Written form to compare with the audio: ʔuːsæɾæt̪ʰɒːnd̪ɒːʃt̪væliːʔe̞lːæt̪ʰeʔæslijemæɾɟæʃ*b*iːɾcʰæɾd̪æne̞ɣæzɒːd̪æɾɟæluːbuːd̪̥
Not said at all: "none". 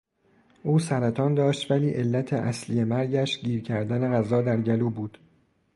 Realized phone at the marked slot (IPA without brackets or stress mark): ɟ